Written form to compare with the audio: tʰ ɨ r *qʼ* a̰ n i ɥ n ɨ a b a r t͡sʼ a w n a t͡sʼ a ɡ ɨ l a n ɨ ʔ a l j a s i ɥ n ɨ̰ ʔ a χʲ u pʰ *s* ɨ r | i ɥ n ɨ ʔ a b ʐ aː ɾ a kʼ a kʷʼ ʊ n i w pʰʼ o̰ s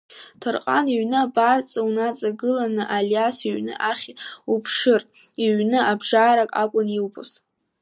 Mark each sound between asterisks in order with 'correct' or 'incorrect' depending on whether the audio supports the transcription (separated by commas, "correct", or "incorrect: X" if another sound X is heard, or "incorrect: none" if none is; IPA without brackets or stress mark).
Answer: correct, incorrect: ʂ